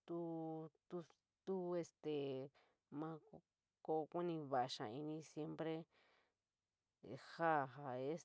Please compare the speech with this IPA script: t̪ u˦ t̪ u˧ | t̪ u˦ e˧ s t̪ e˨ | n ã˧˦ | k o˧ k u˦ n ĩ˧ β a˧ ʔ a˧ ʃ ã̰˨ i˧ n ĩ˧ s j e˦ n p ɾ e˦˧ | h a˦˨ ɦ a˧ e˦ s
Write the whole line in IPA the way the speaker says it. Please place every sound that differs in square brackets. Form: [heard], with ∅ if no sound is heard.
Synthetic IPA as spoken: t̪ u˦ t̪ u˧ | t̪ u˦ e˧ s t̪ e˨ | [m] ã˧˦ | k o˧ k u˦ n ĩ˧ β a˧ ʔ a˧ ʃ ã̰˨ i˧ n ĩ˧ s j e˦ [m] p ɾ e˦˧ | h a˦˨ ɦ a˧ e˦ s